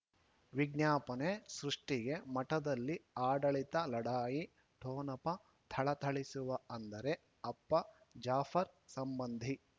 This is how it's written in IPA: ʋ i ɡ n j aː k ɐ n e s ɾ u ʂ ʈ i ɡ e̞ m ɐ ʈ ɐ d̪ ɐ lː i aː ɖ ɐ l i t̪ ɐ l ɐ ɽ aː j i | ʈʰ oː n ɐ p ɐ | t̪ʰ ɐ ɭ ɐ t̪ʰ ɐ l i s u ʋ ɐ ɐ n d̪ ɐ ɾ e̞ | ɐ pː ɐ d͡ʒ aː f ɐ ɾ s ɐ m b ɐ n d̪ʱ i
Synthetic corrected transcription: ʋ i ɡ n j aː p ɐ n e s ɾ u ʂ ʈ i ɡ e̞ m ɐ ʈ ɐ d̪ ɐ lː i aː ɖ ɐ ɭ i t̪ ɐ l ɐ ɽ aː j i | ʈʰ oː n ɐ p ɐ | t̪ʰ ɐ ɭ ɐ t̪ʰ ɐ ɭ i s u ʋ ɐ ɐ n d̪ ɐ ɾ e̞ | ɐ pː ɐ d͡ʒ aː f ɐ ɾ s ɐ m b ɐ n d̪ʱ i